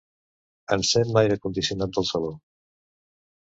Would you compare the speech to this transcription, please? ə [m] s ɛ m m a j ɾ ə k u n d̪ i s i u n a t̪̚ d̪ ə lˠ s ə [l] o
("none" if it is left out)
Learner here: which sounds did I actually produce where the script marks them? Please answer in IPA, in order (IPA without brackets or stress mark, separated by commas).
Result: n, l